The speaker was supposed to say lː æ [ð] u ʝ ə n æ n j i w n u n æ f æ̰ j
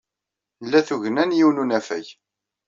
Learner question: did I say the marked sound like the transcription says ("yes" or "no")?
no